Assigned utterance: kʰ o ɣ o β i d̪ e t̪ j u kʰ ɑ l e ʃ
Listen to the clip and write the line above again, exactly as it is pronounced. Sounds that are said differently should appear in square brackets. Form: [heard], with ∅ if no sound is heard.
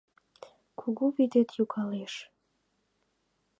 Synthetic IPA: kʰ [u] ɣ [u] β i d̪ e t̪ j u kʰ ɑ l e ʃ